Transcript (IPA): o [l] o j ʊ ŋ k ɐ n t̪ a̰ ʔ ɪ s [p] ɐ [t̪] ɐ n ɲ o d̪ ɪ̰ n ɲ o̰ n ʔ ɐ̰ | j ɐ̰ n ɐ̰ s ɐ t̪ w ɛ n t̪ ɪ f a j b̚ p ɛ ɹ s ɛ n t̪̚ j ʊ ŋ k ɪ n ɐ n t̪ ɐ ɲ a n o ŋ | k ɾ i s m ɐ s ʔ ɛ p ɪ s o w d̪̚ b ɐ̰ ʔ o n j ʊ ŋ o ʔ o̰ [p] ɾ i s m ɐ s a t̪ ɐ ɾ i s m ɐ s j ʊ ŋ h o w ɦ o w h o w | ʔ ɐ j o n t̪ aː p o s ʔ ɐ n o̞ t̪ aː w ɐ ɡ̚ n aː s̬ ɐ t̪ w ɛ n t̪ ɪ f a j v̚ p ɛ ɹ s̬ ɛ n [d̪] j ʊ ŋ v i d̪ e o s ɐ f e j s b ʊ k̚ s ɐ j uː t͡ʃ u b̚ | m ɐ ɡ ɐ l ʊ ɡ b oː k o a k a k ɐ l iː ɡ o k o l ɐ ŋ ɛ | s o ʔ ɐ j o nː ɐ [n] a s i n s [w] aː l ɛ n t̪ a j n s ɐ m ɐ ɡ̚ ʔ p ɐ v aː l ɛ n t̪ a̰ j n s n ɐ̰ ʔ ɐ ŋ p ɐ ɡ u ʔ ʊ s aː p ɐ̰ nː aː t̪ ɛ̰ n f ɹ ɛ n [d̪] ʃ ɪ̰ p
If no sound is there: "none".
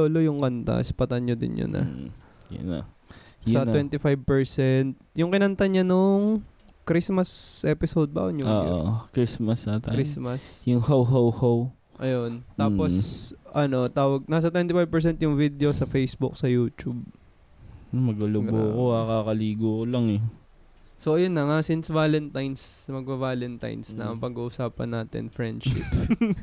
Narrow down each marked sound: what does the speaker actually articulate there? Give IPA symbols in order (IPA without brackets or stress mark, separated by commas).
l, p, t̪, k, t̪, ŋ, v, d̪